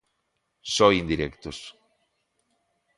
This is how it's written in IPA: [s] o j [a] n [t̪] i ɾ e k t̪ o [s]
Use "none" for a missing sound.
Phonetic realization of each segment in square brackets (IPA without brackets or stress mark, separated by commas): s, i, d̪, s